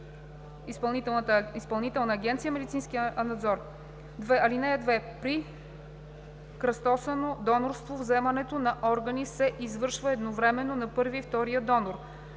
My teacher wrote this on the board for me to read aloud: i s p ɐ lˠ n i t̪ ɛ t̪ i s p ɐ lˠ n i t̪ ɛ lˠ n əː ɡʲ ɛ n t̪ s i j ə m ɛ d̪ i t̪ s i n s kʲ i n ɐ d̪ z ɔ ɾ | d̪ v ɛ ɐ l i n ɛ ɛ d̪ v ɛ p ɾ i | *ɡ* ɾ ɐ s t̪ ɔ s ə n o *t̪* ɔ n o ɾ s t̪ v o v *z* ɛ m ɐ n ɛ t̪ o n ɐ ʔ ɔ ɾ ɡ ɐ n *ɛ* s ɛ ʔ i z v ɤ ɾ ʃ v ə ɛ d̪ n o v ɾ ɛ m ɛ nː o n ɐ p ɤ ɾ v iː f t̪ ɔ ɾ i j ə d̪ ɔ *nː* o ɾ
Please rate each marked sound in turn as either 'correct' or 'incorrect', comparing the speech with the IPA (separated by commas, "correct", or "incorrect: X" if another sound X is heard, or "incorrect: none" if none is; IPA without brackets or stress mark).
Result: incorrect: k, incorrect: d̪, correct, incorrect: i, incorrect: n